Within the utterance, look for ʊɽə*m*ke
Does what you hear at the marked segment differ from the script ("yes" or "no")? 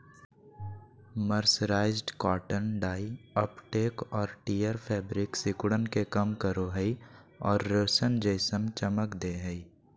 yes